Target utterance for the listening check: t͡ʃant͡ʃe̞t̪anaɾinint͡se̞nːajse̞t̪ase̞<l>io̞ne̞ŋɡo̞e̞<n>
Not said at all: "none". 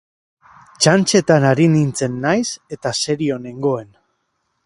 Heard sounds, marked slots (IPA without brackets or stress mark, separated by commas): ɾ, n